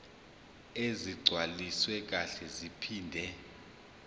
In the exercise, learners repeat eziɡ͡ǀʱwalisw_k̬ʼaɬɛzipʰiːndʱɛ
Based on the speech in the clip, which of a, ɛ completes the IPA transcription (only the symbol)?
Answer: ɛ